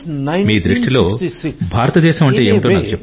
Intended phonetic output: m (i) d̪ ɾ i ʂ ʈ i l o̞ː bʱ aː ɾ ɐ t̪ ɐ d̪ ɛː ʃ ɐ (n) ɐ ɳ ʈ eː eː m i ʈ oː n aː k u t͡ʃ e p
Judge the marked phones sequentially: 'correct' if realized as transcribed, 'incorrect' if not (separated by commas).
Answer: incorrect, incorrect